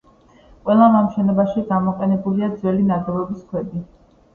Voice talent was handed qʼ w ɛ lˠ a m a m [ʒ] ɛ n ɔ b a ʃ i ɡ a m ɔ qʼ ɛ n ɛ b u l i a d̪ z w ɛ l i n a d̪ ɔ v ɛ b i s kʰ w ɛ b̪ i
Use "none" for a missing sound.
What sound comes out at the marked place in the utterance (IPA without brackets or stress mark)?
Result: ʃ